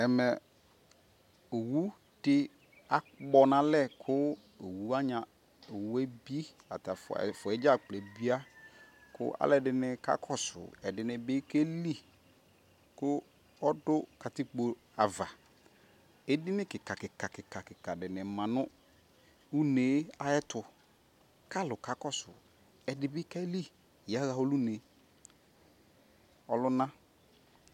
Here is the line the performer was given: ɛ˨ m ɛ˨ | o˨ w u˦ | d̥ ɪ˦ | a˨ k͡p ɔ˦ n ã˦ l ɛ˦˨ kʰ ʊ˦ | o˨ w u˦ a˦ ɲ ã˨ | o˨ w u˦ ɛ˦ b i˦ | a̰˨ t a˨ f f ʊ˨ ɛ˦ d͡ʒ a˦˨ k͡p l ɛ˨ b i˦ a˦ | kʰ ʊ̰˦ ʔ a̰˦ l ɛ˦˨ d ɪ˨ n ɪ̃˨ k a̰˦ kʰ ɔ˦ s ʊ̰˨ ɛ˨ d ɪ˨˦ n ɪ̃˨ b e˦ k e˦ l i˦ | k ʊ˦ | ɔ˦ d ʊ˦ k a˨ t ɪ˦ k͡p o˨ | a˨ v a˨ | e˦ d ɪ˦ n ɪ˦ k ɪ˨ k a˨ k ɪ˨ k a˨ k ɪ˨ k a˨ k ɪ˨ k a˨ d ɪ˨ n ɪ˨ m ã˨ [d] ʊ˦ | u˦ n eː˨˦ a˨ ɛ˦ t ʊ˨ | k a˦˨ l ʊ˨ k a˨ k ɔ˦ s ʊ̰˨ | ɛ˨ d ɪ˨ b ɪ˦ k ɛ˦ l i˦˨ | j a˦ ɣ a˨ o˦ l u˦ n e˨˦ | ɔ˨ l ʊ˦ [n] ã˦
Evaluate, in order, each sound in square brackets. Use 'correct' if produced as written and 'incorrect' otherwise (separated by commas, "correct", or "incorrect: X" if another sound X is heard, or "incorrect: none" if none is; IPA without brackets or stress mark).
incorrect: n, correct